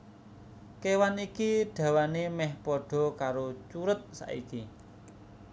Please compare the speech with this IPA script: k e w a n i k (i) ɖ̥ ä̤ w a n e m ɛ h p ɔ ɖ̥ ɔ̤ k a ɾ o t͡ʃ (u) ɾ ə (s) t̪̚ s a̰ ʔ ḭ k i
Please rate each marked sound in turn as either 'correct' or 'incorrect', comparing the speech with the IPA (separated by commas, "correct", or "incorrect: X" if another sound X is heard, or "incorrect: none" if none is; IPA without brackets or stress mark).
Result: correct, correct, incorrect: none